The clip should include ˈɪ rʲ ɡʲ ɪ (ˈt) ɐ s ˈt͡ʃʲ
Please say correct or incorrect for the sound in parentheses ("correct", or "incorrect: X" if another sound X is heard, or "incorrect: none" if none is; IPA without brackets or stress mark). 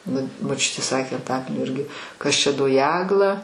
incorrect: k